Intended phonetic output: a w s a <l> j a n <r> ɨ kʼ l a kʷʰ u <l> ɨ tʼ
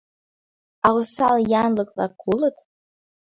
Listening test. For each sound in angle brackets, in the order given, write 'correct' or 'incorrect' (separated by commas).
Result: correct, incorrect, correct